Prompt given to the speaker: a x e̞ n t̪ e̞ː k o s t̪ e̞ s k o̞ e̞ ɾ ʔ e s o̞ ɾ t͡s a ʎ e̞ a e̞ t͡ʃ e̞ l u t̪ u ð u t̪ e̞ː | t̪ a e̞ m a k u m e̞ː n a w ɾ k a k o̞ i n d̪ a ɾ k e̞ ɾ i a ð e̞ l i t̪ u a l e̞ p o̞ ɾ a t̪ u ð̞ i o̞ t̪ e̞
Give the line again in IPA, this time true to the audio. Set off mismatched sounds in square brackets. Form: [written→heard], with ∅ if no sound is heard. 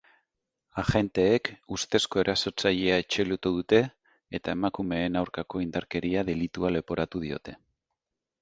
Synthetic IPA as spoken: a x e̞ n t̪ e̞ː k [o→u] s t̪ e̞ s k o̞ e̞ ɾ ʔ [e→a] s o̞ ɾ t͡s a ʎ e̞ a e̞ t͡ʃ e̞ l u t̪ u ð u t̪ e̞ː | t̪ a e̞ m a k u m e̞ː n a w ɾ k a k o̞ i n d̪ a ɾ k e̞ ɾ i a ð e̞ l i t̪ u a l e̞ p o̞ ɾ a t̪ u ð̞ i o̞ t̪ e̞